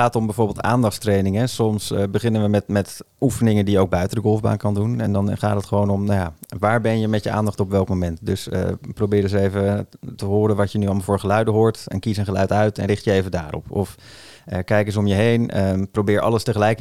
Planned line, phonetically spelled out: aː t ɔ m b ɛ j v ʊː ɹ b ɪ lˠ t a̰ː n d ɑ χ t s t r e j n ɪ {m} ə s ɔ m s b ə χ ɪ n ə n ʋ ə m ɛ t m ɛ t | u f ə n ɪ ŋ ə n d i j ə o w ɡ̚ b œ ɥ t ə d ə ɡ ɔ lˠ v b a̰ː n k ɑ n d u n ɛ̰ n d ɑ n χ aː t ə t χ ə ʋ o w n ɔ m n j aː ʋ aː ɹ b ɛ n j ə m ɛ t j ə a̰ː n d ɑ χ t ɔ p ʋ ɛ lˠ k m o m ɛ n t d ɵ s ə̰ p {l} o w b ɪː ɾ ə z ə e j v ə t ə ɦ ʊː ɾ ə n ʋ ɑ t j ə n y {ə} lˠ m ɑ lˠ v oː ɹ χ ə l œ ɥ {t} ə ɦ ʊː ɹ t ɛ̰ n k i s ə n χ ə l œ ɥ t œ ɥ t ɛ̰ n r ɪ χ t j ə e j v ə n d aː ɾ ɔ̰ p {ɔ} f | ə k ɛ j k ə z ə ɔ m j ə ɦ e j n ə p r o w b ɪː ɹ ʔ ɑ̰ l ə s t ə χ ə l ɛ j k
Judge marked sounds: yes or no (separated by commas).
no, no, no, no, yes